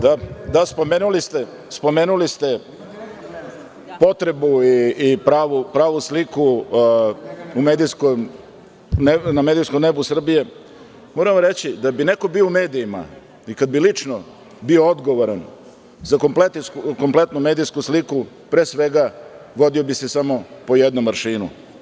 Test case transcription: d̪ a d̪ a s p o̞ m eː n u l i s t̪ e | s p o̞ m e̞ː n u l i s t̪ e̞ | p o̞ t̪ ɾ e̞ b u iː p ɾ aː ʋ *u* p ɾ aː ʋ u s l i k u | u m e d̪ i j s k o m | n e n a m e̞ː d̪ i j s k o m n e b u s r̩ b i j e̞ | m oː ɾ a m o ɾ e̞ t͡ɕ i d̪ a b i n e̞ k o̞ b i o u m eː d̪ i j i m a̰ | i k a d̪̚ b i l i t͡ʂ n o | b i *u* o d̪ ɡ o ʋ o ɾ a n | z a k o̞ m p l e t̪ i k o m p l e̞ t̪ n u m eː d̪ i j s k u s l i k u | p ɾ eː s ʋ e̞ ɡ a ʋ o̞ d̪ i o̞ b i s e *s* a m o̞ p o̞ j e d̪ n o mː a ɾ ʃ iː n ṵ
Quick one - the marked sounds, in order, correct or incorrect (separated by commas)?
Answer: correct, incorrect, correct